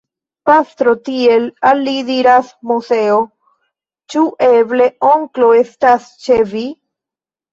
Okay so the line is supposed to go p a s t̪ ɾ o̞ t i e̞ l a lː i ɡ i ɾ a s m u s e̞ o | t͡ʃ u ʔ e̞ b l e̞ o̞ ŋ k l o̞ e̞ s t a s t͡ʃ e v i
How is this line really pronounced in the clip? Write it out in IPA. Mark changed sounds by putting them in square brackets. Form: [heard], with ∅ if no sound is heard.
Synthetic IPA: p a s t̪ ɾ o̞ t i e̞ l a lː i [d] i ɾ a s m u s e̞ o | t͡ʃ u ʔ e̞ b l e̞ o̞ ŋ k l o̞ e̞ s t a s t͡ʃ e v i

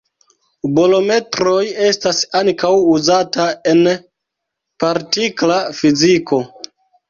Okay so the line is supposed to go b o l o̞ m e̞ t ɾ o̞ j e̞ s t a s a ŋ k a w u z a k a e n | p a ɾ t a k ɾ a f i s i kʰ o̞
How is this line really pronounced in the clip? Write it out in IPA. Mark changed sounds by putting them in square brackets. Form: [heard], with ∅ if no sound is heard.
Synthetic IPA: b o l o̞ m e̞ t ɾ o̞ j e̞ s t a s a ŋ k a w u z a [t] a e n | p a ɾ t [i] k [l] a f i [z] i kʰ o̞

